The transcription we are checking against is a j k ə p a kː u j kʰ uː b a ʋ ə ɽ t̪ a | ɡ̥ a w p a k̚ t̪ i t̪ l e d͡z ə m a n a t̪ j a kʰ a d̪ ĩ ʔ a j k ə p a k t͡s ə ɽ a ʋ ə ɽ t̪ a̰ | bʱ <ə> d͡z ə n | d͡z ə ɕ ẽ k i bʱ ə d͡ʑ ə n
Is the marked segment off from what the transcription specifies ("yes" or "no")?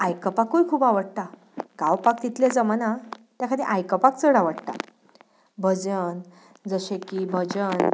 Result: no